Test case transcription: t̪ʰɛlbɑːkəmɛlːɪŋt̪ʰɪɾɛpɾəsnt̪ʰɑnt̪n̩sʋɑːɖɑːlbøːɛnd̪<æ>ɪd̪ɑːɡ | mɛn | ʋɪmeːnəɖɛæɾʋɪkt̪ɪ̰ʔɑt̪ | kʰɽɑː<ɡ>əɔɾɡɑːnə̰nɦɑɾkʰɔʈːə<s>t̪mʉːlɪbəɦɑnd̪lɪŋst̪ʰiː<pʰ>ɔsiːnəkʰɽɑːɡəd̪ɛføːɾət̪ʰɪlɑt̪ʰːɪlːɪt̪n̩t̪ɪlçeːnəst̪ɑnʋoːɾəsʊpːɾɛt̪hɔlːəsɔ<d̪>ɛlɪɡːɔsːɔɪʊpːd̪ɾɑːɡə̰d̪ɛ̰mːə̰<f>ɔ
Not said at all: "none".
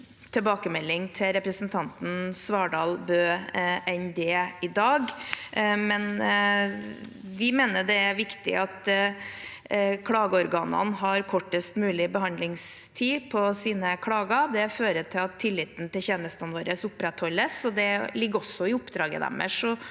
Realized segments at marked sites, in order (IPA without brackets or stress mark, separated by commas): ɛ, ɡ, s, pʰ, d̪, ʂ